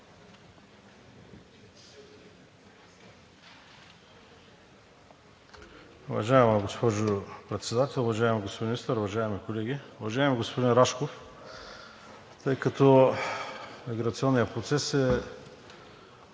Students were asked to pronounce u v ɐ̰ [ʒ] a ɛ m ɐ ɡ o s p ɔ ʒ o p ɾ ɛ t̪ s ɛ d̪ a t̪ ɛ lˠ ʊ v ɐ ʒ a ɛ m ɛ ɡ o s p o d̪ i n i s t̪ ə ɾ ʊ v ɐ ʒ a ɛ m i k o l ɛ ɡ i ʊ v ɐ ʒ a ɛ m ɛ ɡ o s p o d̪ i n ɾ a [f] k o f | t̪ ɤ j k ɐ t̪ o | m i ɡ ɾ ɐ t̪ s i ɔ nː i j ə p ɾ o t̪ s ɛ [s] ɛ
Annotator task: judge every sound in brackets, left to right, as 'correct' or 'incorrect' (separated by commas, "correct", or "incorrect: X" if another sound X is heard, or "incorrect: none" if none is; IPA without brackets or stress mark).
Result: correct, incorrect: ʃ, correct